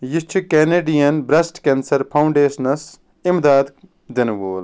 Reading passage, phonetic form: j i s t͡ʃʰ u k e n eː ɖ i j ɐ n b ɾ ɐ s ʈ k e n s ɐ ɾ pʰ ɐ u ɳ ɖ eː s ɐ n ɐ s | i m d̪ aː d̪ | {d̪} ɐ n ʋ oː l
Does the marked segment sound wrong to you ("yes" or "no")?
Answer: no